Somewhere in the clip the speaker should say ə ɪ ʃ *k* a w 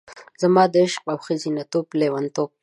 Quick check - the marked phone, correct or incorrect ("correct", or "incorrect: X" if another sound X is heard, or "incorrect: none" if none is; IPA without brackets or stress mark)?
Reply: incorrect: q